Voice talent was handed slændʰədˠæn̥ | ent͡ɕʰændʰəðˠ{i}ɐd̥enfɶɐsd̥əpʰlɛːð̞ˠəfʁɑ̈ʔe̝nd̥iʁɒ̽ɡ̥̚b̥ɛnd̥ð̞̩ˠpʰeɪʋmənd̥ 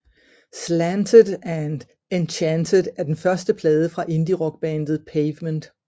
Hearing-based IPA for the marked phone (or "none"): æ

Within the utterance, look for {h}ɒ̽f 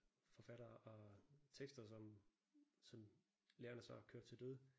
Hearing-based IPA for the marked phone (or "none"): f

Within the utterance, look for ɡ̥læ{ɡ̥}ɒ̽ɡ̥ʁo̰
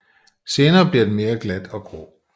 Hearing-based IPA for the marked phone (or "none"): d̥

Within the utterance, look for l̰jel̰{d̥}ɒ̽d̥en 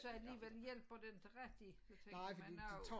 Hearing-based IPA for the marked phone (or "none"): b̥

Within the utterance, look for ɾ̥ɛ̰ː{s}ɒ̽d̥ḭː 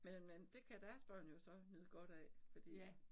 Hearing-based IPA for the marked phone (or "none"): f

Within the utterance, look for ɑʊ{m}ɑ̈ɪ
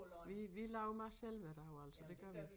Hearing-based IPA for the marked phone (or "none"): m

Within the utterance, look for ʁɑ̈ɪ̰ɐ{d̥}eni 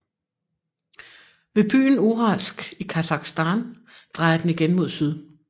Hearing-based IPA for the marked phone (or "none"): d̥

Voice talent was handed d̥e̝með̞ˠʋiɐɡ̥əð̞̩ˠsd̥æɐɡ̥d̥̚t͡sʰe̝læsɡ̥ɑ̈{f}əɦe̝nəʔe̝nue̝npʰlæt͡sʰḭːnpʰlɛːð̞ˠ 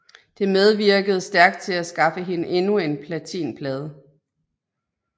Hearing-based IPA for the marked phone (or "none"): f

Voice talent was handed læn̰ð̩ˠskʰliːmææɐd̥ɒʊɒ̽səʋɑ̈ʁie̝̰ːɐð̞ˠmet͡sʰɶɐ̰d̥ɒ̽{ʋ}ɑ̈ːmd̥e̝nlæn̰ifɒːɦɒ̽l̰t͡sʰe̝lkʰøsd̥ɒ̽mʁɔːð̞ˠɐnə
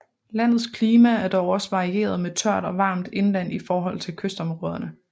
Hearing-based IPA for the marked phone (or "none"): ʋ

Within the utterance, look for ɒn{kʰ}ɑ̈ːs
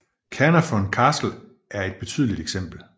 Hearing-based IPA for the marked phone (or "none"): kʰ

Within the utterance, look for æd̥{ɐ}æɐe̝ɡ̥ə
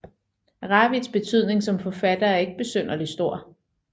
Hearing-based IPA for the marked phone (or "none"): ɐ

